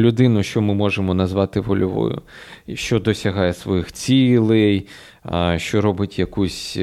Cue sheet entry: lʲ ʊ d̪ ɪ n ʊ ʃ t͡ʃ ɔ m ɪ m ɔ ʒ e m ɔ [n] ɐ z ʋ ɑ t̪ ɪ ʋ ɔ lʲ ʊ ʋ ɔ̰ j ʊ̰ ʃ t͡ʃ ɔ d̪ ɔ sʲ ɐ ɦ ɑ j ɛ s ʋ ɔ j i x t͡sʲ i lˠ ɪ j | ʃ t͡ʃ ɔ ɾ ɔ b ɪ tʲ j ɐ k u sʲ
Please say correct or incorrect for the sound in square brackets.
correct